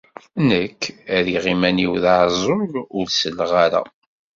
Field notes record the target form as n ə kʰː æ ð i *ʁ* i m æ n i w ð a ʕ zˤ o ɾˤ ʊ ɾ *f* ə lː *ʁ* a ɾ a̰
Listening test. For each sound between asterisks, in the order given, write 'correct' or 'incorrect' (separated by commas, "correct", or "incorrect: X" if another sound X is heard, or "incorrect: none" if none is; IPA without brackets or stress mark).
correct, incorrect: s, correct